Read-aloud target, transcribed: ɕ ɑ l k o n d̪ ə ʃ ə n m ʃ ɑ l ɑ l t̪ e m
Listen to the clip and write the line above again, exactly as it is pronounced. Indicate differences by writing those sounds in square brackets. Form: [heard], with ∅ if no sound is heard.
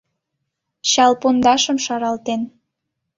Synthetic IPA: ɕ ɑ l [p] o n d̪ [ɑ] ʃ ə [∅] m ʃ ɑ [ɾ] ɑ l t̪ e [n]